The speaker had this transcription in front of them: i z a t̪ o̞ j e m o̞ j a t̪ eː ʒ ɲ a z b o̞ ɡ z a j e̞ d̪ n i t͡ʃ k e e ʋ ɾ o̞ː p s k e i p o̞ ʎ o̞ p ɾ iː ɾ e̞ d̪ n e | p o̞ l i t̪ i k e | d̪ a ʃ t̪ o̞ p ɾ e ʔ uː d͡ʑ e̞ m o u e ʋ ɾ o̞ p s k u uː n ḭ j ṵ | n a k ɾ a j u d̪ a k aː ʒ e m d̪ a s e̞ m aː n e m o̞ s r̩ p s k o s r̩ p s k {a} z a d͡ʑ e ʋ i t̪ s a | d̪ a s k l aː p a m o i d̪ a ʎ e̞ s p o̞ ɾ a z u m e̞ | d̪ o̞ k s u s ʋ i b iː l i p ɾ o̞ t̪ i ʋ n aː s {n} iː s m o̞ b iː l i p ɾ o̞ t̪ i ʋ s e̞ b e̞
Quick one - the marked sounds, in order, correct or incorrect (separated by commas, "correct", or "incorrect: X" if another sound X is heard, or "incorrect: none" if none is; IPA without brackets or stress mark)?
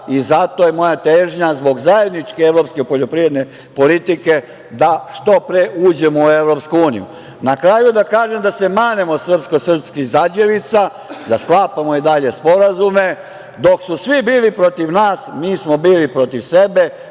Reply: incorrect: i, incorrect: m